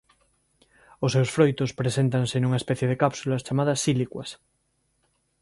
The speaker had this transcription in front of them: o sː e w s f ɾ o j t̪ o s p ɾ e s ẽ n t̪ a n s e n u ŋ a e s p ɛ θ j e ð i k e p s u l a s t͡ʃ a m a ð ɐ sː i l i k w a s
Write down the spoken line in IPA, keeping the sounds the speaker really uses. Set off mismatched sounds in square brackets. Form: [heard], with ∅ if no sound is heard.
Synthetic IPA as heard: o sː e w s f ɾ o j t̪ o s p ɾ e s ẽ n t̪ a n s e n u ŋ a e s p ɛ θ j e ð [e] k [a] p s u l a s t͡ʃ a m a ð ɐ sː i l i k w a s